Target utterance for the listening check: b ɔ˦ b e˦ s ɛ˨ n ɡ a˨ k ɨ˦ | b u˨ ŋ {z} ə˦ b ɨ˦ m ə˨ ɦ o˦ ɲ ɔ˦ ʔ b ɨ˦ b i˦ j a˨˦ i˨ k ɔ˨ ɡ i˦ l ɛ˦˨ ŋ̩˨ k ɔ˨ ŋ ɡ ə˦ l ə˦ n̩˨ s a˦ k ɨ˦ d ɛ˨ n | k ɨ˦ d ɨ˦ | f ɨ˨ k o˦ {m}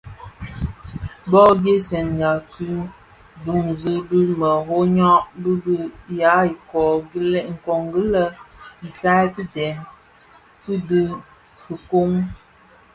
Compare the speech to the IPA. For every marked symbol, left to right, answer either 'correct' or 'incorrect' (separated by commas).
correct, incorrect